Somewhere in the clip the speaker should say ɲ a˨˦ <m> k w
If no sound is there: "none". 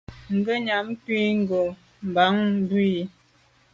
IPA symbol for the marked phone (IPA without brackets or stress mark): m